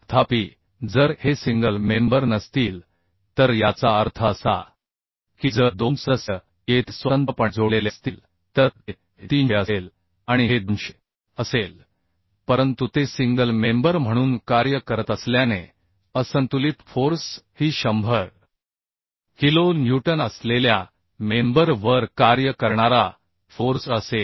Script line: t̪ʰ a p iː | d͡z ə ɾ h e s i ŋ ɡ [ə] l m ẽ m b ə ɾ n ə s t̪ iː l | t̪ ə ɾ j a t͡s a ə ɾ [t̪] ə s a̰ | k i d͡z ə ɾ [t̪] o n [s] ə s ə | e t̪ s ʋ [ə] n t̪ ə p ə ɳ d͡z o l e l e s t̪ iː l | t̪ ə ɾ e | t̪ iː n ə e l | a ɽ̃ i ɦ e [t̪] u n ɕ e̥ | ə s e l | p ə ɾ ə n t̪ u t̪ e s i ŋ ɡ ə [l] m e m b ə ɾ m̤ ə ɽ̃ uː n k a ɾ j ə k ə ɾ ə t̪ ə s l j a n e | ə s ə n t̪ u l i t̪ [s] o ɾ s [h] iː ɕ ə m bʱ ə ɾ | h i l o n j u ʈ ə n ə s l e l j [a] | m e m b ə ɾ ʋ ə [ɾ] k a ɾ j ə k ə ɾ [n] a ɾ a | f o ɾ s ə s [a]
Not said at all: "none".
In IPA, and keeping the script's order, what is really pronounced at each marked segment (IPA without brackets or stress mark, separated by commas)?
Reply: ə, t̪ʰ, d̪, s, ə, d̪, l, f, h, a, ɾ, ɳ, e